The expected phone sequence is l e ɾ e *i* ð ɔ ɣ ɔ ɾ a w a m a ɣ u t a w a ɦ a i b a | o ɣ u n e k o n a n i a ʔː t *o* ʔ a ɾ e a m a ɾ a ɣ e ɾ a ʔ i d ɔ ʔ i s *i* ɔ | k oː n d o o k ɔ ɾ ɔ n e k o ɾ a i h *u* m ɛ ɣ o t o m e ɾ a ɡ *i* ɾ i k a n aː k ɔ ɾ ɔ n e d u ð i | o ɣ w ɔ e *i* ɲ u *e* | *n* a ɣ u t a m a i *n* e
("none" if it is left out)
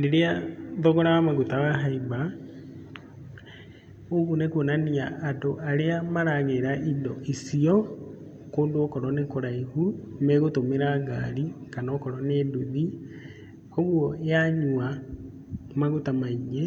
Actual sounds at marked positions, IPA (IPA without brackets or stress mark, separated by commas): a, o, i, u, a, a, a, m, ɲ